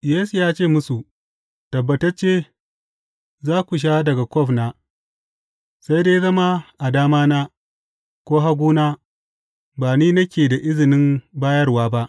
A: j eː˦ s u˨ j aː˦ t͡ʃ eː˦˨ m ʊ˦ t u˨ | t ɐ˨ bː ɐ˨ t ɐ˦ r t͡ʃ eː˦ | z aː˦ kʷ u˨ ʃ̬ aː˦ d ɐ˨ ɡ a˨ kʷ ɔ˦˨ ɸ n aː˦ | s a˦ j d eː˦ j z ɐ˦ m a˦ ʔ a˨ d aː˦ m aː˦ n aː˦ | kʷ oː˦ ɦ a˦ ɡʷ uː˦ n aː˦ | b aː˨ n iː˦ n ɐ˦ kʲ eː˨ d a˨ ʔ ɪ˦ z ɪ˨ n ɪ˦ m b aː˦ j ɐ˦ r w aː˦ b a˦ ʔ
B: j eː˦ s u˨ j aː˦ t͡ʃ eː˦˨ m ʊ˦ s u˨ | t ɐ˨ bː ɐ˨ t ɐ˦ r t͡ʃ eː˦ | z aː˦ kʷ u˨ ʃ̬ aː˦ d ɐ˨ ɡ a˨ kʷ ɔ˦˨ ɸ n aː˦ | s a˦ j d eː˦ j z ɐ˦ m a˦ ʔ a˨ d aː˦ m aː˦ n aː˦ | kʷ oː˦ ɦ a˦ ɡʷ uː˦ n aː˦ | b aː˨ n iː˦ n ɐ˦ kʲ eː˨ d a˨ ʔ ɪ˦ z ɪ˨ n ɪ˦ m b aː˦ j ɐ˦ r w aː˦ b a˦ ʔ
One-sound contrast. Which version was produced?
B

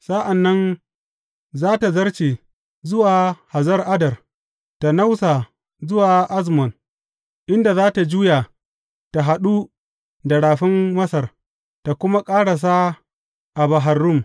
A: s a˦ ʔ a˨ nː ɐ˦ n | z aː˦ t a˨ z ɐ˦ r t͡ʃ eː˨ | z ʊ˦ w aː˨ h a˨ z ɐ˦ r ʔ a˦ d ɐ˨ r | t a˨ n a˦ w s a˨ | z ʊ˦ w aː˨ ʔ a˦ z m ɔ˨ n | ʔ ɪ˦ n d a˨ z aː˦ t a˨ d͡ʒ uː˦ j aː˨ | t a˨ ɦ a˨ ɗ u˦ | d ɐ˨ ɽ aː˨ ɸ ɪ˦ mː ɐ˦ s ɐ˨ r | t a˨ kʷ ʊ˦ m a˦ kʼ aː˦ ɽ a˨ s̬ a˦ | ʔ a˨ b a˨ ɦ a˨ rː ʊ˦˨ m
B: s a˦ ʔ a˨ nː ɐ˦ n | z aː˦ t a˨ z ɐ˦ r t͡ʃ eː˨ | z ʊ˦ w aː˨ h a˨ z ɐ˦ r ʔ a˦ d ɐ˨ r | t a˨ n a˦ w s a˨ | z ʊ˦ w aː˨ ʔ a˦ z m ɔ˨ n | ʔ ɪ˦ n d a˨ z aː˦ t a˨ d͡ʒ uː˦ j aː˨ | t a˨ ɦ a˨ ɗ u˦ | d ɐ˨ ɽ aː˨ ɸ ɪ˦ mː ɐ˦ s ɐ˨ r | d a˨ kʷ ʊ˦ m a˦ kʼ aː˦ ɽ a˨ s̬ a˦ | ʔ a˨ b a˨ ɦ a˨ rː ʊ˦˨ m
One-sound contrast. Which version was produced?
A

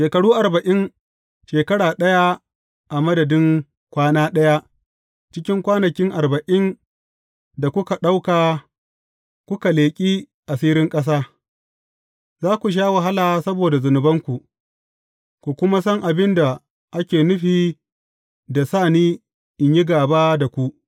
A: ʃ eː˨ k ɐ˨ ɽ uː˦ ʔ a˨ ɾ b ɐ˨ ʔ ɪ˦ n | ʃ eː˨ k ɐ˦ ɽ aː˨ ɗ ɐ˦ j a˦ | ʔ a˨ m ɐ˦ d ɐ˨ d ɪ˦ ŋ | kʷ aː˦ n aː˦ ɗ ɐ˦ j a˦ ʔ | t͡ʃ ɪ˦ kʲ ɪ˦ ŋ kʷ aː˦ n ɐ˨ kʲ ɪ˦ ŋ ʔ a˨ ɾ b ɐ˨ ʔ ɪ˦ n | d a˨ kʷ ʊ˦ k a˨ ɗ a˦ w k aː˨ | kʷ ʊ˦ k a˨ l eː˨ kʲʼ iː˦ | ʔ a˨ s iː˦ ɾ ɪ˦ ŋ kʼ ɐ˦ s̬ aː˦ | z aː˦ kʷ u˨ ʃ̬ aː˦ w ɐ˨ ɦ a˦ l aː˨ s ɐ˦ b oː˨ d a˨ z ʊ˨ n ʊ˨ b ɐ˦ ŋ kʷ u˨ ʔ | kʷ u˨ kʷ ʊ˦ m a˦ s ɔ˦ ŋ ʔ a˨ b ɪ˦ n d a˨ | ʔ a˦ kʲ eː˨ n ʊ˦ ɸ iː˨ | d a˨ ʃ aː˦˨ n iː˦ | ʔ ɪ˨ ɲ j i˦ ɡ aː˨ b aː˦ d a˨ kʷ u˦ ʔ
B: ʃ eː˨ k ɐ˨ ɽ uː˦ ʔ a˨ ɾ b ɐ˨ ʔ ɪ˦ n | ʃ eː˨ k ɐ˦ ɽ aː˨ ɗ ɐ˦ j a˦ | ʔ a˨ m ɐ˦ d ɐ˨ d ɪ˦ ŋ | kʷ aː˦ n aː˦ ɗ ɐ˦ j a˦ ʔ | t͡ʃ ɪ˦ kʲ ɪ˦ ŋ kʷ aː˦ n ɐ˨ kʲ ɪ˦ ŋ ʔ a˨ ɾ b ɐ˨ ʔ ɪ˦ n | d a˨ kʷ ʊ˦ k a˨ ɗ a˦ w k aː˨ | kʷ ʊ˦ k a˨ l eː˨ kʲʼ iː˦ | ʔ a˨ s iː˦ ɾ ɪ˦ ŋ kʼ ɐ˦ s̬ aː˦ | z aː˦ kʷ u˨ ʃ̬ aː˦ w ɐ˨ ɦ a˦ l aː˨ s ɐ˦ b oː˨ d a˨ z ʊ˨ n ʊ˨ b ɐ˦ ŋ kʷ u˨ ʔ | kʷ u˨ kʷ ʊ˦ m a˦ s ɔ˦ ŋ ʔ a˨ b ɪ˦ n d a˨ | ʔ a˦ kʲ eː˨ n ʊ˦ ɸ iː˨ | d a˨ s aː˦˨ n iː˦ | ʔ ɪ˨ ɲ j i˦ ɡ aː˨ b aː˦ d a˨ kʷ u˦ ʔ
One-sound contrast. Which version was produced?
B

